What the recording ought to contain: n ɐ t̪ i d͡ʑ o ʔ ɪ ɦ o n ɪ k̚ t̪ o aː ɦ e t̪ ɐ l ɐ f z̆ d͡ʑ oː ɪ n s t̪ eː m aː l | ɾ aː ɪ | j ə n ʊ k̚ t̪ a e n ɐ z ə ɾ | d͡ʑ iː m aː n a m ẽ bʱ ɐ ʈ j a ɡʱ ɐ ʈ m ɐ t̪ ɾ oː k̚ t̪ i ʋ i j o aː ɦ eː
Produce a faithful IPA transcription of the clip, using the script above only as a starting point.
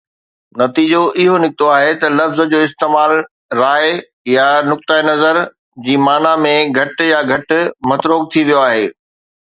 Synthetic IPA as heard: n ɐ t̪ iː d͡ʑ o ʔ ɪ ɦ o n ɪ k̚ t̪ o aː ɦ e t̪ ɐ l ɐ f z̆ d͡ʑ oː ɪ s t̪ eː m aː l | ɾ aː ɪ | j a n ʊ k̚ t̪ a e n ɐ z ə ɾ | d͡ʑ iː m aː n a m ẽ ɡʱ ɐ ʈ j a ɡʱ ɐ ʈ m ɐ t̪ ɾ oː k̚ t̪ʰ i ʋ i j o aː ɦ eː